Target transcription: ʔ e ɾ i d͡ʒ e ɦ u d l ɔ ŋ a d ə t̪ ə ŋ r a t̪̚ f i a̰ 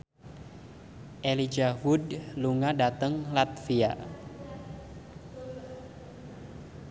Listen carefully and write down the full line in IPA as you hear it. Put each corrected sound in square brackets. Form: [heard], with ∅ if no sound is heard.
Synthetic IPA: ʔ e [l] i d͡ʒ [a] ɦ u d l [u] ŋ a d [a] t̪ ə ŋ [l] a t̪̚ f i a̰

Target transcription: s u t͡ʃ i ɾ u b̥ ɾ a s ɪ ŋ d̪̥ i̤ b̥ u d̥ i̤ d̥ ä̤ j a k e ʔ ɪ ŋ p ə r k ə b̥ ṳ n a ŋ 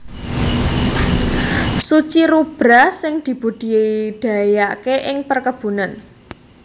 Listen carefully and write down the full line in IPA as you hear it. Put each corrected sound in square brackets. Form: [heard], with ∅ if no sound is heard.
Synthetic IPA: s u t͡ʃ i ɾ u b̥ ɾ a s ɪ ŋ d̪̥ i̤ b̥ u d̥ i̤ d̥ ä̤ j a k e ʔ ɪ ŋ p ə r k ə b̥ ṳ n a [n]

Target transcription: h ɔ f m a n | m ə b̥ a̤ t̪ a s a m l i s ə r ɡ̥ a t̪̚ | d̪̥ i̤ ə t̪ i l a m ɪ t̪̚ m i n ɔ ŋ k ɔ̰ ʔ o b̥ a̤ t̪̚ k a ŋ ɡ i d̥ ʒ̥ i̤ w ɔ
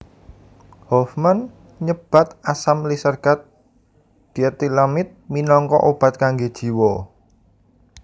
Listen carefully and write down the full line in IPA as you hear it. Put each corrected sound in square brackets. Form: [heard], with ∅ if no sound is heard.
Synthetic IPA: h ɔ f m a n | [ɲ] ə b̥ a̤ t̪ a s a m l i s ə r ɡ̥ a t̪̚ | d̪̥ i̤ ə t̪ i l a m ɪ t̪̚ m i n ɔ ŋ k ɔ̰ ʔ o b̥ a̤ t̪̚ k a ŋ ɡ [e] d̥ ʒ̥ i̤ w ɔ

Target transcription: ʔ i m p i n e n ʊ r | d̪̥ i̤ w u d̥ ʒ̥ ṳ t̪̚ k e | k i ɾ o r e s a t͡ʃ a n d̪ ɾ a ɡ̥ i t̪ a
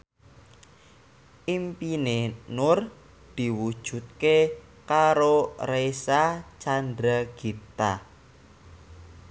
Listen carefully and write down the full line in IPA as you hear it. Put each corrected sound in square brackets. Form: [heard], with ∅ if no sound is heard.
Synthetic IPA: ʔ i m p i n e n ʊ r | d̪̥ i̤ w u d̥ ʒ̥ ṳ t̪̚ k e | k [a] ɾ o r e s a t͡ʃ a n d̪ ɾ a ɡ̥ i t̪ a

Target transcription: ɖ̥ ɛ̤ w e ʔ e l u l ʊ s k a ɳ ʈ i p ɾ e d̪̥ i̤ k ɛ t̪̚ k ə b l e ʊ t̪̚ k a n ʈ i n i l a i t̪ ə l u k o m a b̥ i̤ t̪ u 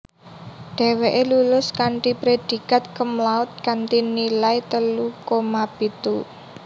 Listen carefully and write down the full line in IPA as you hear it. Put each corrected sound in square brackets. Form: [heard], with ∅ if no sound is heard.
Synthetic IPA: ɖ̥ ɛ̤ w e ʔ e l u l ʊ s k a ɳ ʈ i p ɾ e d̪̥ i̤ k [a] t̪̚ k ə [m] l [a] ʊ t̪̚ k a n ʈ i n i l a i t̪ ə l u k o m a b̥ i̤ t̪ u

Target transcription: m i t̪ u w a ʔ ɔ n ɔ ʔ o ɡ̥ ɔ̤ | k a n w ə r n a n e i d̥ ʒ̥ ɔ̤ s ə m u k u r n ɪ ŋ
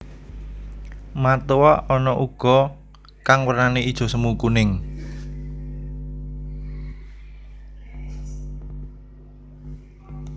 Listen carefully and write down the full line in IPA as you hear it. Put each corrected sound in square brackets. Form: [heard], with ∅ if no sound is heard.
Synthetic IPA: m [a] t̪ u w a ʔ ɔ n ɔ ʔ [u] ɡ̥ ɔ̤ | k a [ŋ] w ə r n a n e i d̥ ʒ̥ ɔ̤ s ə m u k u [∅] n ɪ ŋ

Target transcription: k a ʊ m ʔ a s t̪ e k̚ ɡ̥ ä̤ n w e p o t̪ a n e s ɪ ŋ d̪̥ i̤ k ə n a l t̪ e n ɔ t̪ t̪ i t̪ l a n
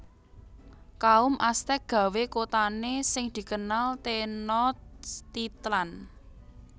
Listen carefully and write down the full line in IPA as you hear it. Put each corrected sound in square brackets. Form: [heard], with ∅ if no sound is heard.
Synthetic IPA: k a ʊ m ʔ a s t̪ [ɛ] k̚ ɡ̥ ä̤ [∅] w e [k] o t̪ a n e s ɪ ŋ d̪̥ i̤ k ə n a l t̪ e n ɔ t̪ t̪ i t̪ l a n

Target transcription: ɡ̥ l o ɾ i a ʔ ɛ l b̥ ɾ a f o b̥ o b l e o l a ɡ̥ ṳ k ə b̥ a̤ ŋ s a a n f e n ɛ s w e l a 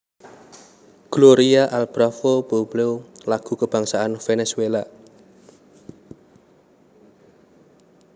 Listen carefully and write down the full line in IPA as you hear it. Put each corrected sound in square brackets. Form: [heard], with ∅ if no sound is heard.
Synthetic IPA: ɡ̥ l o ɾ i a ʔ [a] l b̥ ɾ a f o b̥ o b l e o l a ɡ̥ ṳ k ə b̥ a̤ ŋ s a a n f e n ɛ s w e l a

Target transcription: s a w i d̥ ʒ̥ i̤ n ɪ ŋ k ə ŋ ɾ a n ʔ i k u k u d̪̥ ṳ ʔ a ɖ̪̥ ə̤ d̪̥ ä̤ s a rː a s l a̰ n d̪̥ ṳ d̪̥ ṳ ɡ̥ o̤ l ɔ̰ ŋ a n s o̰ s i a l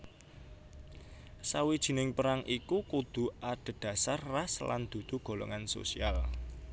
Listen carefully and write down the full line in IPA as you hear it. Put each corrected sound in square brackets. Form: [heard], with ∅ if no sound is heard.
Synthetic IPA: s a w i d̥ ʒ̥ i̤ n ɪ ŋ [p] ə [∅] ɾ a [ŋ] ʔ i k u k u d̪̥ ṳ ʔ a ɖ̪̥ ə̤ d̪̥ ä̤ s a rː a s l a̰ n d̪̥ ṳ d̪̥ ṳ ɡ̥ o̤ l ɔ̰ ŋ a n s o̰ s i a l

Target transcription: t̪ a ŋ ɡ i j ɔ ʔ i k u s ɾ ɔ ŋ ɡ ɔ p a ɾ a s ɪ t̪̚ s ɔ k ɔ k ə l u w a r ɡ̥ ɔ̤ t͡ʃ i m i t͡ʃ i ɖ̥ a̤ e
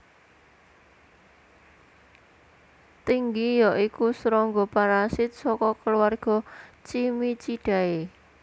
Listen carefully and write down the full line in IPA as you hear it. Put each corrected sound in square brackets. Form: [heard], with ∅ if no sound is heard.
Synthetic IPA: t̪ [i] ŋ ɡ i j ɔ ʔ i k u s ɾ ɔ ŋ ɡ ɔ p a ɾ a s ɪ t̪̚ s ɔ k ɔ k ə l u w a r ɡ̥ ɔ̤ t͡ʃ i m i t͡ʃ i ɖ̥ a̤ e

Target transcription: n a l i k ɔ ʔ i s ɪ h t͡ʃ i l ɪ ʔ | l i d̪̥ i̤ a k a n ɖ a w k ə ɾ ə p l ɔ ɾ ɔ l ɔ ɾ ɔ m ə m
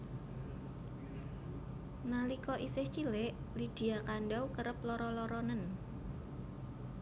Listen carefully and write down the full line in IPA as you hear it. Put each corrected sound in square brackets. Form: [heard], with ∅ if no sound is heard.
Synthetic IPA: n a l i k ɔ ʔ i s ɪ h t͡ʃ i l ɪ ʔ | l i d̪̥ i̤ a k a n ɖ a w k ə ɾ ə p l ɔ ɾ ɔ l ɔ ɾ ɔ [n] ə [n]

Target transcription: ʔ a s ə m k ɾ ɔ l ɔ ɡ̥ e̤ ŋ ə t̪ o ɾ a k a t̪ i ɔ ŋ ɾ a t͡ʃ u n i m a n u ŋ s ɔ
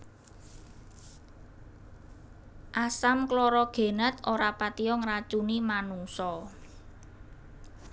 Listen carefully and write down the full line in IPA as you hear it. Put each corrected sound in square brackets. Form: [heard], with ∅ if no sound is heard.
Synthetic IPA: ʔ a s [a] m k [l] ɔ [ɾ] ɔ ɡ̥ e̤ [n] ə t̪ o ɾ a [p] a t̪ i ɔ ŋ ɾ a t͡ʃ u n i m a n u ŋ s ɔ

